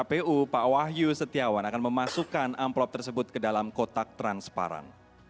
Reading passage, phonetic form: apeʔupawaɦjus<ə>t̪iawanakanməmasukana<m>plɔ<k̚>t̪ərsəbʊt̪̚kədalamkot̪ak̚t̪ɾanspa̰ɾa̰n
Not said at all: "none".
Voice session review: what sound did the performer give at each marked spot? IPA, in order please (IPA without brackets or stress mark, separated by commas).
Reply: ə, m, p̚